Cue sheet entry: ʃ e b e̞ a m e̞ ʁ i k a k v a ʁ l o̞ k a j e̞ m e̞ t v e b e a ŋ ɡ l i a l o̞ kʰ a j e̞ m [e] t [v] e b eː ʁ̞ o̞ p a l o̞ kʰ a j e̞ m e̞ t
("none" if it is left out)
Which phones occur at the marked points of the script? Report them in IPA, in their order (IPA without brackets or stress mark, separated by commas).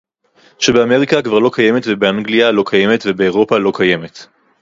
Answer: e, v